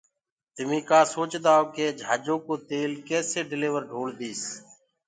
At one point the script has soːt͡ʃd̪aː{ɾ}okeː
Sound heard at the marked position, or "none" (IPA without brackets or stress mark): none